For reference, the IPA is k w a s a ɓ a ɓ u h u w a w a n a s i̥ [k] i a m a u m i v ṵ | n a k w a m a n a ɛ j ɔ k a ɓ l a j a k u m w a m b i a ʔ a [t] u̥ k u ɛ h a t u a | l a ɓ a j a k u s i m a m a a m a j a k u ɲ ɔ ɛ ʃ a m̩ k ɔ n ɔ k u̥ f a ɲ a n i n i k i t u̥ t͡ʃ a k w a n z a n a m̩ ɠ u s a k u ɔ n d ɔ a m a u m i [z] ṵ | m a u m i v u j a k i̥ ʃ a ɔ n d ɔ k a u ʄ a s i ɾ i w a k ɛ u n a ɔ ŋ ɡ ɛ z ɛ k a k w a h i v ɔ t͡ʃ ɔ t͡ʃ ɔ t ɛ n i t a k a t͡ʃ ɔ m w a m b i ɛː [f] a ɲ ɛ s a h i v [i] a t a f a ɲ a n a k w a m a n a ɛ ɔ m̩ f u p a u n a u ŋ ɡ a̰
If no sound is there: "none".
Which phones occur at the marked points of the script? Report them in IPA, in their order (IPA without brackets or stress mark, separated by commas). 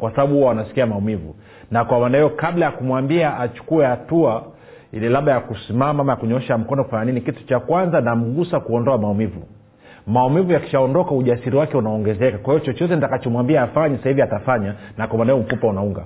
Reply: k, t͡ʃ, v, f, i